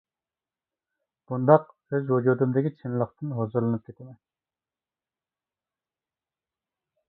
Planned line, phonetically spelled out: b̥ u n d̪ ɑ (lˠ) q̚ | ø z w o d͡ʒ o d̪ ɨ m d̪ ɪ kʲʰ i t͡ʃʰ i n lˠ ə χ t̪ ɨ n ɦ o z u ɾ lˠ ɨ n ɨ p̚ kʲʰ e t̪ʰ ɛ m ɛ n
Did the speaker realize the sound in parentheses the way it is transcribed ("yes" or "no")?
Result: no